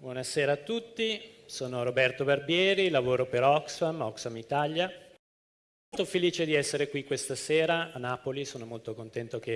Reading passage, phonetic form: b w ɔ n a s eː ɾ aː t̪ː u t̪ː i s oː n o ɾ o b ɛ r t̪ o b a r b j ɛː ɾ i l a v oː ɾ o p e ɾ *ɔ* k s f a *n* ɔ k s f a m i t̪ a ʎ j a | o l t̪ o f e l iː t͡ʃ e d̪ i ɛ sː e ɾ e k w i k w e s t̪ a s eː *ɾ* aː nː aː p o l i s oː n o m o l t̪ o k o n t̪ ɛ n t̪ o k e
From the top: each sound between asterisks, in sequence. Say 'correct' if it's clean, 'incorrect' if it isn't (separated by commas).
correct, incorrect, correct